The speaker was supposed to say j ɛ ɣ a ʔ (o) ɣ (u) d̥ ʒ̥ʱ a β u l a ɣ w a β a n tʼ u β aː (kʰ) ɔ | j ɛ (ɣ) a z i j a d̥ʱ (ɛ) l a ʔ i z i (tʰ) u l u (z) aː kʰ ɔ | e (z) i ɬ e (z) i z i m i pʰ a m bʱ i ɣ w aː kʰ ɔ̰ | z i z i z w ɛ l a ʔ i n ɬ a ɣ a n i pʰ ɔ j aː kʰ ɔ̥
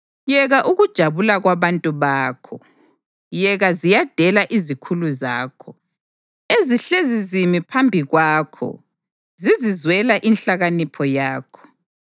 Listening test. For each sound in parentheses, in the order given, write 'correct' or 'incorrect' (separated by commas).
incorrect, correct, correct, correct, correct, incorrect, correct, correct, correct